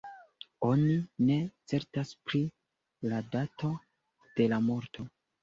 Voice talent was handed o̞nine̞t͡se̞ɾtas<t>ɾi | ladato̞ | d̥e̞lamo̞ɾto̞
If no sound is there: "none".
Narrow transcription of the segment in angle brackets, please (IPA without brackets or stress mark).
p